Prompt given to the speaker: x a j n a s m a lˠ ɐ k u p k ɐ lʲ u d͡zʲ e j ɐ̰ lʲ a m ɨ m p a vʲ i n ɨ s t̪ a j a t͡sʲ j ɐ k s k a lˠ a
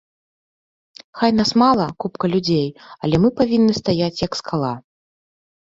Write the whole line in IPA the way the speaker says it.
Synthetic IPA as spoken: x a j n a s m a lˠ ɐ k u p k ɐ lʲ u d͡zʲ e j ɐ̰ lʲ ɛ m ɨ p a vʲ i nː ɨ s t̪ a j a t͡sʲ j ɐ k s k a lˠ a